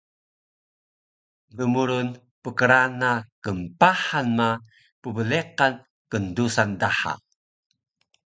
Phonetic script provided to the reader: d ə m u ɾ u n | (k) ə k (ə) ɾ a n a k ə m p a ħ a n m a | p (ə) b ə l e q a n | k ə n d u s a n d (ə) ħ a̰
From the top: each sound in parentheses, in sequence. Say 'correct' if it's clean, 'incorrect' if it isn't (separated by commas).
incorrect, correct, correct, incorrect